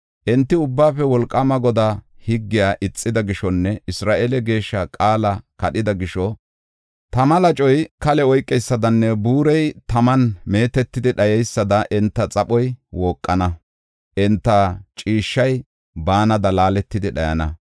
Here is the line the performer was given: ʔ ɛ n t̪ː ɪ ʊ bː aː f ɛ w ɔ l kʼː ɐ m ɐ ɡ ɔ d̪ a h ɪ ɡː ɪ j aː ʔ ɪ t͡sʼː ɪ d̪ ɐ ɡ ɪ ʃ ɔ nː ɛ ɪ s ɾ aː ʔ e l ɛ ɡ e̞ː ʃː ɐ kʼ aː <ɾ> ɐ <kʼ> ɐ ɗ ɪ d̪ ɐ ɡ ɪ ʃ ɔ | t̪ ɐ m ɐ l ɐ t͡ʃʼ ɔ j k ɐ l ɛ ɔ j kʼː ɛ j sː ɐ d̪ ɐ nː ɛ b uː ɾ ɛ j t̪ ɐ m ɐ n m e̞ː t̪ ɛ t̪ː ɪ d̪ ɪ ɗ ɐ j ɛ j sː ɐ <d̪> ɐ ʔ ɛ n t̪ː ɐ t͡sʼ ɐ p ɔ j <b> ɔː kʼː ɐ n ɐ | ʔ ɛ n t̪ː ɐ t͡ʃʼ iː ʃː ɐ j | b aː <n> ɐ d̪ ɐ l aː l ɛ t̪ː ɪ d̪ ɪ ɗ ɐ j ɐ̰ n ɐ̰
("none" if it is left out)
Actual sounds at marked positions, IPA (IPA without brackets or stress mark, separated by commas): l, k, d̪, w, n